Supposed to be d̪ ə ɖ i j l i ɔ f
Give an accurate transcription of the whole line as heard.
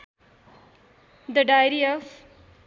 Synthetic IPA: d̪ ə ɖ a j ɾ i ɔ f